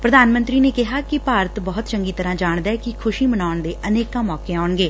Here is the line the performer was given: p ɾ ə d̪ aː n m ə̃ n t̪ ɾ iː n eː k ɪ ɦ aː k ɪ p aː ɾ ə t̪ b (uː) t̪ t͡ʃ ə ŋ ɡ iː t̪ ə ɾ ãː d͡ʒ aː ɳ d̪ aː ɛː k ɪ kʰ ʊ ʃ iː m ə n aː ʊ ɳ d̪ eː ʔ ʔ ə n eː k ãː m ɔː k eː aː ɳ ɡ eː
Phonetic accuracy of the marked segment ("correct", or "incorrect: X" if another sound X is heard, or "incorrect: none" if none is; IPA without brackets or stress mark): incorrect: ɔː